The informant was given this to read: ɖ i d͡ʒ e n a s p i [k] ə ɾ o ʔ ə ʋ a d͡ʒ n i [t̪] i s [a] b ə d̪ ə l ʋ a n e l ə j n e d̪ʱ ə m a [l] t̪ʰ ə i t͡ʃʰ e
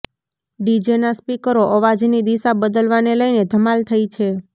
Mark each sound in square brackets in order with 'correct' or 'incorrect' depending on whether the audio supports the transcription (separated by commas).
correct, incorrect, correct, correct